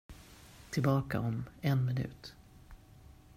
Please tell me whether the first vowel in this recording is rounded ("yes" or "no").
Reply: no